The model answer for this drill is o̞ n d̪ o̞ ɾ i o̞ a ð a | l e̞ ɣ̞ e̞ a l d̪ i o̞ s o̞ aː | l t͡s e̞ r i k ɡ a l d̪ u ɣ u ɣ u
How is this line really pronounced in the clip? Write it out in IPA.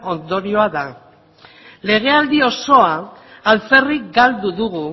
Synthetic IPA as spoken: o̞ n d̪ o̞ ɾ i o̞ a ð a | l e̞ ɣ̞ e̞ a l d̪ i o̞ s o̞ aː | l t͡s e̞ r i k ɡ a l d̪ u ð u ɣ u